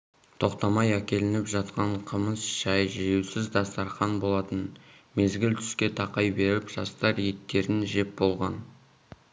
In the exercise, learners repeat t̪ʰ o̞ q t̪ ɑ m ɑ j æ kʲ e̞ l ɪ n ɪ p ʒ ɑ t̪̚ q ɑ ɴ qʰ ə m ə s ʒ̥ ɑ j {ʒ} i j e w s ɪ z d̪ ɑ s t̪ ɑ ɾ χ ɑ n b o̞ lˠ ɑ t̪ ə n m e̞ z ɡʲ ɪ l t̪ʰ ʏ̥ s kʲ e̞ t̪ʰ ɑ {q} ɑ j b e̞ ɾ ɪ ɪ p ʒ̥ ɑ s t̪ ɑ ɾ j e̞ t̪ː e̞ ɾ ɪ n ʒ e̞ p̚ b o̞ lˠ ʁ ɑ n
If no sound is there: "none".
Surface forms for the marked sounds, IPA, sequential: ʒ, q

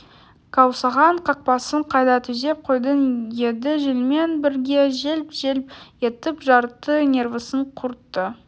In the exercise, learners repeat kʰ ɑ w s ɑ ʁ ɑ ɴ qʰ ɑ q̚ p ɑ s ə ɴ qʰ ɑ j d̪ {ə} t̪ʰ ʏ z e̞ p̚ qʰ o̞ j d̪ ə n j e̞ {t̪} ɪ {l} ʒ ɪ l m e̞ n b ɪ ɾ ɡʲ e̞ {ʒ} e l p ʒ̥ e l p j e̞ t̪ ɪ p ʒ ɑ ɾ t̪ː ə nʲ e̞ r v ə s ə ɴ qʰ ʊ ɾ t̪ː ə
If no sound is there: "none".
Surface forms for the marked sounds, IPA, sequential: ɑ, d̪, none, ʒ

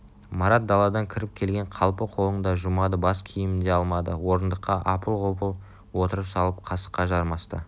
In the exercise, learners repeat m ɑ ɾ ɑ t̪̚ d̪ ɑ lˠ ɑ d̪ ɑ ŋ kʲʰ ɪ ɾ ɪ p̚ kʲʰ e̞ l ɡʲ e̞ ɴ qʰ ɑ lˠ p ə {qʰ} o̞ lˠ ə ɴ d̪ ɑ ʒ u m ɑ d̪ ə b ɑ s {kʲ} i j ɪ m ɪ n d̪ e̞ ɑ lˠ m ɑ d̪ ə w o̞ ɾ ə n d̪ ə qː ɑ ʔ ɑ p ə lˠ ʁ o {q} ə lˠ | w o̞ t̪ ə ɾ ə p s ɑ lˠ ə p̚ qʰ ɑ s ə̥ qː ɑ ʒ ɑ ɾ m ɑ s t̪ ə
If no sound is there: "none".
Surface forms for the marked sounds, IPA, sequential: qʰ, kʲʰ, p

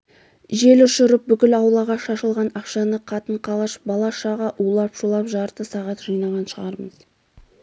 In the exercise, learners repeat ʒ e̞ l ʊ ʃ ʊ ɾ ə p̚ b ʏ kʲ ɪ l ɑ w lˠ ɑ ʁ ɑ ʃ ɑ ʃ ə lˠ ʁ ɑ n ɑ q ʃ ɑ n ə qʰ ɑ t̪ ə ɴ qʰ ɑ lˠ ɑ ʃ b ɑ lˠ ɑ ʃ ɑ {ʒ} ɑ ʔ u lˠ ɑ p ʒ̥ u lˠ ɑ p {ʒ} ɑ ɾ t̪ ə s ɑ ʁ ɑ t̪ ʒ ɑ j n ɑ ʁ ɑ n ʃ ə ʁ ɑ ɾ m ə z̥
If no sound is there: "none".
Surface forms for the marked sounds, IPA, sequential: ʁ, ʒ

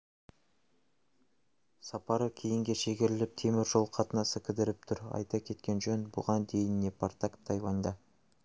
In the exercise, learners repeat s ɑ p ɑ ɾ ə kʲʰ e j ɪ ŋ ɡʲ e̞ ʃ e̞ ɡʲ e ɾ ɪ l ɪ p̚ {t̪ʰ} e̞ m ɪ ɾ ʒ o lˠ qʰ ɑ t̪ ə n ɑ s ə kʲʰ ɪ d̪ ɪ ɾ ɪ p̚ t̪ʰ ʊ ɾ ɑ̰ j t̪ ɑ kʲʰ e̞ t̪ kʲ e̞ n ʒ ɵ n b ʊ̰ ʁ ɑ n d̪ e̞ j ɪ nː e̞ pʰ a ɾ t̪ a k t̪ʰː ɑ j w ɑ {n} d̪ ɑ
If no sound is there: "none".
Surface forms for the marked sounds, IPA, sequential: t̪ʰ, n

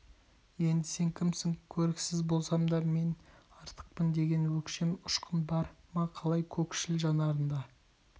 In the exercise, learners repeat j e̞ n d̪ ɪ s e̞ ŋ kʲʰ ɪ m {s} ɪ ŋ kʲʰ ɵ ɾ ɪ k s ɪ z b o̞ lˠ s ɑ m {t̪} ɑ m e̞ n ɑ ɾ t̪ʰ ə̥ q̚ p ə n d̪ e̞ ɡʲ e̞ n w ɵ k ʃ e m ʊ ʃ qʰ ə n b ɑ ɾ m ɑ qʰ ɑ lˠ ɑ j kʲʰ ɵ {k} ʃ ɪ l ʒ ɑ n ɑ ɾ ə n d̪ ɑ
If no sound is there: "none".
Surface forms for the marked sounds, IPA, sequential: s, d̪, k

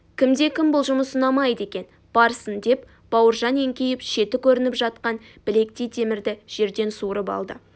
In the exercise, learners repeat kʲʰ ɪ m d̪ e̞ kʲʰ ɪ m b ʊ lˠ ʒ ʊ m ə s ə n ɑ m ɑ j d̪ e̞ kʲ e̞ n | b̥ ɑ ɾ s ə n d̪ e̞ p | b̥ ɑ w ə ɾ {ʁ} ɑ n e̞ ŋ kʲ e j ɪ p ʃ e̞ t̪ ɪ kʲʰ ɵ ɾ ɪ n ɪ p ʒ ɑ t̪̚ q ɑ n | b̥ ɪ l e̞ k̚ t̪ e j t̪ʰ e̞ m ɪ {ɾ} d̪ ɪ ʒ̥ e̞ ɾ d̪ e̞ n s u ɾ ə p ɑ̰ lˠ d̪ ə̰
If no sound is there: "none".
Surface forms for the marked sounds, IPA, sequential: ʒ, ɾ

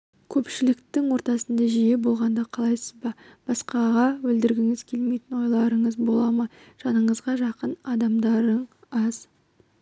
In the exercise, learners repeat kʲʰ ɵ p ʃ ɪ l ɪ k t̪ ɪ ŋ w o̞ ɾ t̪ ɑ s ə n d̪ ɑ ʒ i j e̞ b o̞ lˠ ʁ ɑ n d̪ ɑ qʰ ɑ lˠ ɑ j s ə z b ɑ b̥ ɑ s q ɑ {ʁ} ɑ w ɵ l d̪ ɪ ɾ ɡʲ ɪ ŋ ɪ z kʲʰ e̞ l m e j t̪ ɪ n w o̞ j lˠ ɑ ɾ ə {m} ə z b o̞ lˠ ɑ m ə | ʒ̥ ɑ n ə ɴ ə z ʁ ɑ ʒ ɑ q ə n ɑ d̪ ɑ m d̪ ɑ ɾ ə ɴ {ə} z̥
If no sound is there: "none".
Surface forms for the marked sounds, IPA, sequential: ʁ, ɴ, ɑ

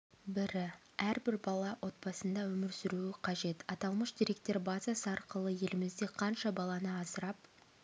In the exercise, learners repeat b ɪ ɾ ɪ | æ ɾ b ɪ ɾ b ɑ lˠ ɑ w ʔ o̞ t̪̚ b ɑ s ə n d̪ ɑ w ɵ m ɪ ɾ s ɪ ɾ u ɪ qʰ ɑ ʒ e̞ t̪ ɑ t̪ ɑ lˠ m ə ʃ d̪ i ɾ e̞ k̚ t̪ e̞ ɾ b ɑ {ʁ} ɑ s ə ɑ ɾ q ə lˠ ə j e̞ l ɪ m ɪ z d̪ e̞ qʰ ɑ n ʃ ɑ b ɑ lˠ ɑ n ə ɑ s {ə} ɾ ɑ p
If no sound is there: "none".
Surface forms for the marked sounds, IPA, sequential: z, ə

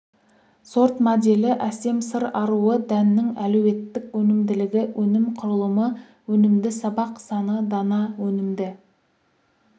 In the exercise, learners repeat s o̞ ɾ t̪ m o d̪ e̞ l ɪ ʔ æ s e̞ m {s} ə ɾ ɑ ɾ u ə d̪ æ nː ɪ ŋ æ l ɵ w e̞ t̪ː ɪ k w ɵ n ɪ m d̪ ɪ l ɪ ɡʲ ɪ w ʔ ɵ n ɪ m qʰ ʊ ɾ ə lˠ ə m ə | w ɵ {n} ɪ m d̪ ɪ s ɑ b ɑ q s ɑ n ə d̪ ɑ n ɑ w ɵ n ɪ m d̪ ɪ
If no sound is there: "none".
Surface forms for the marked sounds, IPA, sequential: s, n

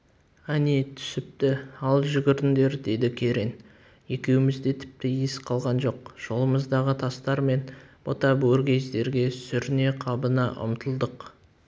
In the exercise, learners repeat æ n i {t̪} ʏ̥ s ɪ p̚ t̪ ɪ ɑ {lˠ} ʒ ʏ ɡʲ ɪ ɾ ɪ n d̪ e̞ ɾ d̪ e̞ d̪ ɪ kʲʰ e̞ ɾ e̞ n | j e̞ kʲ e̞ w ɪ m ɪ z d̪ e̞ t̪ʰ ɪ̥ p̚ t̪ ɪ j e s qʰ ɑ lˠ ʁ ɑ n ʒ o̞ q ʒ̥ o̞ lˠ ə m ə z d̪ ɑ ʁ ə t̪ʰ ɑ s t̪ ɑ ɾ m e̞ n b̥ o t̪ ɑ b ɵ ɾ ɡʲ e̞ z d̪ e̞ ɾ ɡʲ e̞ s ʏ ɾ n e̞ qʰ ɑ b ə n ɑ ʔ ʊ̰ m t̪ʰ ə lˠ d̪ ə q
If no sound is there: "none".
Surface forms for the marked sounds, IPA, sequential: t̪ʰ, lˠ

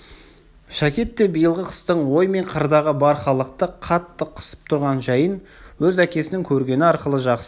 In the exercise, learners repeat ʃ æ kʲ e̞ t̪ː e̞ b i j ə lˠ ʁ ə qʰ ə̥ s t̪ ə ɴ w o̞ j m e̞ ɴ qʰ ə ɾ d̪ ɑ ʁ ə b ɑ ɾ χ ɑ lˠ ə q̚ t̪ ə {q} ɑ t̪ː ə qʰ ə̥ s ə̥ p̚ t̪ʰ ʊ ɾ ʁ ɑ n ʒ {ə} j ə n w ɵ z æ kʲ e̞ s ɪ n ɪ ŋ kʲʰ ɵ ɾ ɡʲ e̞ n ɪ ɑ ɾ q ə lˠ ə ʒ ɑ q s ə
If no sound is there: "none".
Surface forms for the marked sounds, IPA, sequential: qʰ, ɑ

